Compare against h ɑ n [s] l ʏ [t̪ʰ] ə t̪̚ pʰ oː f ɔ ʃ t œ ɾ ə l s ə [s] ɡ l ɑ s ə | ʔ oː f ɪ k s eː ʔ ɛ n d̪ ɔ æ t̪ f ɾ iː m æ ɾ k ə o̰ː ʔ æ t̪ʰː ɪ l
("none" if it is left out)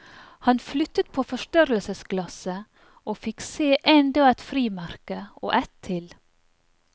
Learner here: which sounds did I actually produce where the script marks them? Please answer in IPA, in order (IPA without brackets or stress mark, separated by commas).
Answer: f, t̪, s